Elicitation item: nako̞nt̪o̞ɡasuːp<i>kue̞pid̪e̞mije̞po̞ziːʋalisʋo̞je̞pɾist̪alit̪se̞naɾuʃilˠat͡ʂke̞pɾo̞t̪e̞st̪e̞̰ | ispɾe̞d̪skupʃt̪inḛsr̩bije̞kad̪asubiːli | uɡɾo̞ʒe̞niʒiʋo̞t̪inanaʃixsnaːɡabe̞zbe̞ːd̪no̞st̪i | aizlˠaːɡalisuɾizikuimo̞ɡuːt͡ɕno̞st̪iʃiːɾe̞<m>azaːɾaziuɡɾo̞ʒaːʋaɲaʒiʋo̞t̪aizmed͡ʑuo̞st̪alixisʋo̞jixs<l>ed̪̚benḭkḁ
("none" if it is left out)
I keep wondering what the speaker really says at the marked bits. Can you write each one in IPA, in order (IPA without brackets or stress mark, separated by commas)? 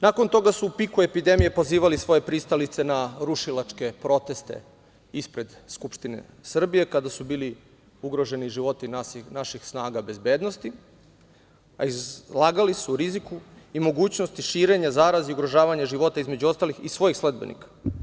i, ɲ, l